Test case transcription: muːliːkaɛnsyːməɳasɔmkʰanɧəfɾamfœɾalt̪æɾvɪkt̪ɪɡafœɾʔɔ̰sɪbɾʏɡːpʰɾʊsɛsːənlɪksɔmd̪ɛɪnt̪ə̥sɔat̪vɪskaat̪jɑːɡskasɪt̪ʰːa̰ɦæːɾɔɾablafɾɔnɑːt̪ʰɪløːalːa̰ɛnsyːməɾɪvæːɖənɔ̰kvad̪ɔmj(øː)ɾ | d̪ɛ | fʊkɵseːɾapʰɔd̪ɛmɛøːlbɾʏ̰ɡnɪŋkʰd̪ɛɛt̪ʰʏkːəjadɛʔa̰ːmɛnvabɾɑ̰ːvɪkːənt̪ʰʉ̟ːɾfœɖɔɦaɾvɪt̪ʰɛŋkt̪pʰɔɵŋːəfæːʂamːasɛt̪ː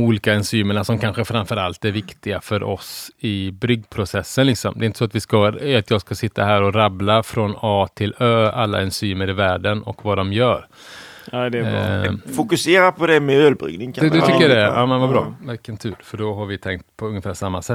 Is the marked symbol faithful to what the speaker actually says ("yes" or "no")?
no